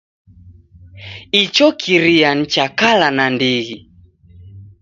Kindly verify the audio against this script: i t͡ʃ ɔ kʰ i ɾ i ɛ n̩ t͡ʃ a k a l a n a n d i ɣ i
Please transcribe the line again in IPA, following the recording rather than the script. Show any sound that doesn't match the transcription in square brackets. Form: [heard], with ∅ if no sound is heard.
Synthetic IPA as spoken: i t͡ʃ ɔ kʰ i ɾ i [a] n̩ t͡ʃ a k a l a n a n d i ɣ i